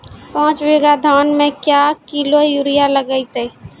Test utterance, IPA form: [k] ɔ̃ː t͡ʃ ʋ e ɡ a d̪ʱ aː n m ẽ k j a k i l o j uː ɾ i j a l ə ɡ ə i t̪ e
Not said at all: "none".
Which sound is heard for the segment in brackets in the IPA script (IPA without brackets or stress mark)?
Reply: p